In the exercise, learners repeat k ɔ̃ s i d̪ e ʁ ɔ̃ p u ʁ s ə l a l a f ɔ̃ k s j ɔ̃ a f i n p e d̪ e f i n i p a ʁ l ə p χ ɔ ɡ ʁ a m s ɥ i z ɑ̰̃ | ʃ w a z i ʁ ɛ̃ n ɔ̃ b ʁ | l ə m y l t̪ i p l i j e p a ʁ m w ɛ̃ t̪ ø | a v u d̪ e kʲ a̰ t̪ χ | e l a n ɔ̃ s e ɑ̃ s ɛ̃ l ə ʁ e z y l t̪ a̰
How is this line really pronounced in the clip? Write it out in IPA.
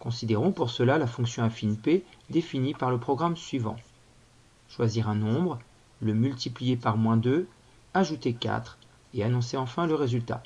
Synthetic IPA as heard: k ɔ̃ s i d̪ e ʁ ɔ̃ p u ʁ s ə l a l a f ɔ̃ k s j ɔ̃ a f i n p e d̪ e f i n i p a ʁ l ə p χ ɔ ɡ ʁ a m s ɥ i v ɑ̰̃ | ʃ w a z i ʁ ɛ̃ n ɔ̃ b ʁ | l ə m y l t̪ i p l i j e p a ʁ m w ɛ̃ d̪ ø | a ʒ u t̪ e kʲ a̰ t̪ χ | e a n ɔ̃ s e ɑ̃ f ɛ̃ l ə ʁ e z y l t̪ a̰